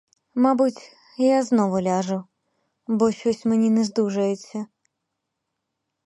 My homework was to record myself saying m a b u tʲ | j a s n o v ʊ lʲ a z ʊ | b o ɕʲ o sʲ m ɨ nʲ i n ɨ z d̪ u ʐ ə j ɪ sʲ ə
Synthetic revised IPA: m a b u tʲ | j a z n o v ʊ lʲ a ʐ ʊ | b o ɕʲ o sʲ m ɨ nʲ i n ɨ z d̪ u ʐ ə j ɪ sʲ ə